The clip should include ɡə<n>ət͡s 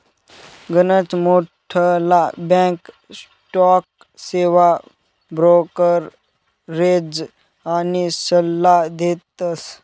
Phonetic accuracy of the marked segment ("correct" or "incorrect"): correct